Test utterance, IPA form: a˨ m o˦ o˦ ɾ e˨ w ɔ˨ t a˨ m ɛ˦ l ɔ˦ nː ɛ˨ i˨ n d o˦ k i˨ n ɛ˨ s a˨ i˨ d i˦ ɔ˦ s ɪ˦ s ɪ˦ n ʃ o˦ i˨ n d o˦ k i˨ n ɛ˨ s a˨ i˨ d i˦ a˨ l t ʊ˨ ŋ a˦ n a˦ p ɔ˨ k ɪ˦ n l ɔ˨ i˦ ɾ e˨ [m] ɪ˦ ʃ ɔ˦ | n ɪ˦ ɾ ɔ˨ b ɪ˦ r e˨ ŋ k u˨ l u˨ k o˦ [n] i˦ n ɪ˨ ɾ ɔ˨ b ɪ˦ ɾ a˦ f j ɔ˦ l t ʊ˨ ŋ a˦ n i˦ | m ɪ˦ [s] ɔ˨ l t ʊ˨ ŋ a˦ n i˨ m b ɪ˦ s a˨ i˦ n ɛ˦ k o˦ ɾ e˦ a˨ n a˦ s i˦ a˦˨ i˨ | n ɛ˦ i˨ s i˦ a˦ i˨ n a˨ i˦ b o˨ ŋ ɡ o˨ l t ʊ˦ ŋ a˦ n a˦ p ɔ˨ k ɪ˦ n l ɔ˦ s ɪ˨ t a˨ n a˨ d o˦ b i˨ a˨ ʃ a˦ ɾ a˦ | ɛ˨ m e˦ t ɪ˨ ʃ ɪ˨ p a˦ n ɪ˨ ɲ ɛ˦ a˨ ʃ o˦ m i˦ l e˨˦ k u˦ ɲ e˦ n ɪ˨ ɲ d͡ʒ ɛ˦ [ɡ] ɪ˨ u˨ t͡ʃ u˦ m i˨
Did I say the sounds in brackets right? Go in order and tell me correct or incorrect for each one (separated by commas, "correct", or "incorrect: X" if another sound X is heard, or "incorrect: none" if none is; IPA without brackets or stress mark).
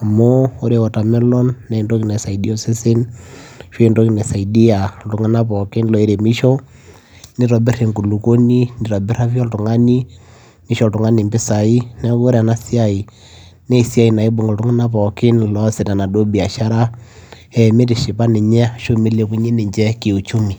correct, correct, incorrect: ʃ, incorrect: k